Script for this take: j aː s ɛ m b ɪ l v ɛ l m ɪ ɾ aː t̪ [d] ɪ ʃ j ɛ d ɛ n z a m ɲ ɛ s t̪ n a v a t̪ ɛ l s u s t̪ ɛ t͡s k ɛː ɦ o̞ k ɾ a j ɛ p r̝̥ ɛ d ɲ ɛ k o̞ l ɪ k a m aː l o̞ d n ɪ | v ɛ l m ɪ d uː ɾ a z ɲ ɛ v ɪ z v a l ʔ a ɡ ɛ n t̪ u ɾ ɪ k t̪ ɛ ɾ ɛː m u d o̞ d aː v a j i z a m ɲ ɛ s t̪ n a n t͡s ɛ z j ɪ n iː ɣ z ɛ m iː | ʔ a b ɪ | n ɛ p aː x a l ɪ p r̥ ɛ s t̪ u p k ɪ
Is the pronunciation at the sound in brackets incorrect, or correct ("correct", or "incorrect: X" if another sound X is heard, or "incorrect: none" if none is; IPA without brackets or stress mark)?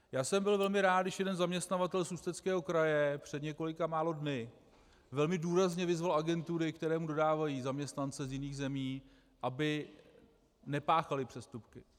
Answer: correct